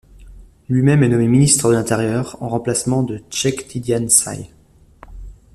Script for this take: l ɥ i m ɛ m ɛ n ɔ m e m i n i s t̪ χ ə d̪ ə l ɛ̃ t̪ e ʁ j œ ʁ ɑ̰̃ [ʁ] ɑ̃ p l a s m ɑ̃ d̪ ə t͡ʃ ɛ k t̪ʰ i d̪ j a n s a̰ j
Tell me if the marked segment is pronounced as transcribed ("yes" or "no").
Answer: yes